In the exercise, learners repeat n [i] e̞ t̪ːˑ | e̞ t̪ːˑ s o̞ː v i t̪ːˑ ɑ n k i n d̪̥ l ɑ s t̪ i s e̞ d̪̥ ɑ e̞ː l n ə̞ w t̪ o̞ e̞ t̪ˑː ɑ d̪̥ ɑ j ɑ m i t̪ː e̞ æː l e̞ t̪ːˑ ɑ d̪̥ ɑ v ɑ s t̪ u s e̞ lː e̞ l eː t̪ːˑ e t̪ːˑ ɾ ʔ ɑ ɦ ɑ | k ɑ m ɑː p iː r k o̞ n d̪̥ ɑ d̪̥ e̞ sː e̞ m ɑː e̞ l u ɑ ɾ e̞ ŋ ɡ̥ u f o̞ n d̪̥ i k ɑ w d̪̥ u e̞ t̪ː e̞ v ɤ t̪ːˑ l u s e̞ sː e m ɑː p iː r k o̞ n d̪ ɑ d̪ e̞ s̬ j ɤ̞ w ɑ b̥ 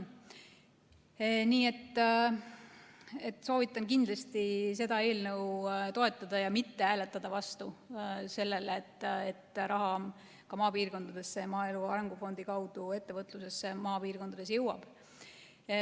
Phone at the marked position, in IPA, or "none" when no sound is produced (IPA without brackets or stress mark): iː